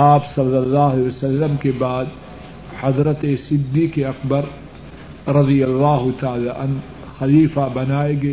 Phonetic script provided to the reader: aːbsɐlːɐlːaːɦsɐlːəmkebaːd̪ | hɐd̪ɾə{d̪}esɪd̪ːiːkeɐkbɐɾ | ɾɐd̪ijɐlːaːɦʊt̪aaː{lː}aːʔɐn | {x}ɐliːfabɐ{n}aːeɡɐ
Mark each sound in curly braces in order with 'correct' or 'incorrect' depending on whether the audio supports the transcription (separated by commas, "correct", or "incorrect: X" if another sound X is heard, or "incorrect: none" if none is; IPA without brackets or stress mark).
incorrect: t̪, incorrect: l, correct, correct